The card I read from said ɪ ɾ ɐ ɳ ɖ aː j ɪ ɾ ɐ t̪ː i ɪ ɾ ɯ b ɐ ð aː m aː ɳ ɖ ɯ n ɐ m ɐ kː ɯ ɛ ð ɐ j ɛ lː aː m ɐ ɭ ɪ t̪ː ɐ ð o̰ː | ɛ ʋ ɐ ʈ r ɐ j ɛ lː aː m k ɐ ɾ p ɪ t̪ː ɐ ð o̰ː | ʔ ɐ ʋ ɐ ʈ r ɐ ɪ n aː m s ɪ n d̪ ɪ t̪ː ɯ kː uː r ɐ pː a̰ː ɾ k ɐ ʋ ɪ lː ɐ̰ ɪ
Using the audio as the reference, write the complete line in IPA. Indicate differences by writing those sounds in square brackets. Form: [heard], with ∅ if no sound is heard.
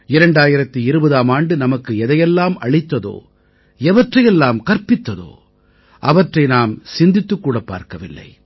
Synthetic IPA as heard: ɪ ɾ ɐ ɳ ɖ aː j ɪ ɾ ɐ t̪ː i ɪ ɾ ɯ b ɐ ð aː m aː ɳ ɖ ɯ n ɐ m ɐ kː ɯ ɛ ð ɐ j ɛ lː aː m ɐ ɭ ɪ t̪ː ɐ ð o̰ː | ɛ ʋ ɐ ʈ r ɐ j ɛ lː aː m k ɐ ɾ p ɪ t̪ː ɐ ð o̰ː | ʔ ɐ ʋ ɐ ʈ r ɐ ɪ n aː m s ɪ n d̪ ɪ t̪ː ɯ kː uː [ɽ] ɐ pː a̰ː ɾ k ɐ ʋ ɪ lː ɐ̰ ɪ

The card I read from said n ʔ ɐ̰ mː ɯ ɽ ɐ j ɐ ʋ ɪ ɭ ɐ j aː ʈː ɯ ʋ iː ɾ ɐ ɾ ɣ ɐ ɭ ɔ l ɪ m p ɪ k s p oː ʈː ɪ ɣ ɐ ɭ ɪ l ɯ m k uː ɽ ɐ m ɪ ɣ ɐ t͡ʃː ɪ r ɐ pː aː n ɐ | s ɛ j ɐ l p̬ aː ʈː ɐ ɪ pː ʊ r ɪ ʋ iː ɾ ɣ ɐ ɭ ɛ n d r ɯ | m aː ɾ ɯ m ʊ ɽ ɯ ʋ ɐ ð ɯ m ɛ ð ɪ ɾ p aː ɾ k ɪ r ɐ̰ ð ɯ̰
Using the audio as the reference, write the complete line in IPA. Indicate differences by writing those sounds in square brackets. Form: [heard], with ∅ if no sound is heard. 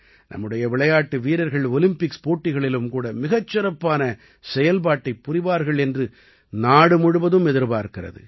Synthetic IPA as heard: n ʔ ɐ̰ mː ɯ ɽ ɐ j ɐ ʋ ɪ ɭ ɐ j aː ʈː ɯ ʋ iː ɾ ɐ ɾ ɣ ɐ ɭ ɔ l ɪ m p ɪ k s p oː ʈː ɪ ɣ ɐ ɭ ɪ l ɯ m k uː ɽ ɐ m ɪ ɣ ɐ t͡ʃː ɪ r ɐ pː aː n ɐ | s ɛ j ɐ l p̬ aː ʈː ɐ ɪ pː ʊ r ɪ ʋ [aː] ɾ ɣ ɐ ɭ ɛ n d r ɯ | [n] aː [ɽ] ɯ m ʊ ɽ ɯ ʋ ɐ ð ɯ m ɛ ð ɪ ɾ p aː ɾ k ɪ r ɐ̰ ð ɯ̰

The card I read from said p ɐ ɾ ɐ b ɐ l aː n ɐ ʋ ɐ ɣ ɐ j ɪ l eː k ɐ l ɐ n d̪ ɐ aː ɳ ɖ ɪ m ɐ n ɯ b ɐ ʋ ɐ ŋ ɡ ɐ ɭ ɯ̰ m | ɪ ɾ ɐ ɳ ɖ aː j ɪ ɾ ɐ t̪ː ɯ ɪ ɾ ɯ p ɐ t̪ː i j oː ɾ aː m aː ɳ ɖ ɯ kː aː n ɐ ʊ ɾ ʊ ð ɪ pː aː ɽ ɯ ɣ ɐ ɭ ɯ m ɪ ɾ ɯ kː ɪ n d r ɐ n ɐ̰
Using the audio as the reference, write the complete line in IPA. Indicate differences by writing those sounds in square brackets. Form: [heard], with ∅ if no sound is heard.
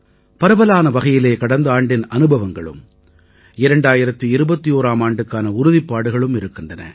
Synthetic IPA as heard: p ɐ ɾ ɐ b ɐ l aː n ɐ ʋ ɐ ɣ ɐ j ɪ l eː k ɐ [ɽ] ɐ n d̪ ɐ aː ɳ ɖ ɪ [n] ɐ n ɯ b ɐ ʋ ɐ ŋ ɡ ɐ ɭ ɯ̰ m | ɪ ɾ ɐ ɳ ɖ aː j ɪ ɾ ɐ t̪ː ɯ ɪ ɾ ɯ [b] ɐ t̪ː i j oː ɾ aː m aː ɳ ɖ ɯ kː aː n ɐ ʊ ɾ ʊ ð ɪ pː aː ɽ ɯ ɣ ɐ ɭ ɯ m ɪ ɾ ɯ kː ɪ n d r ɐ n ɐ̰

